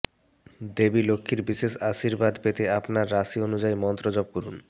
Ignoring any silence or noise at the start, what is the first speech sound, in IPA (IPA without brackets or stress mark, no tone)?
d̪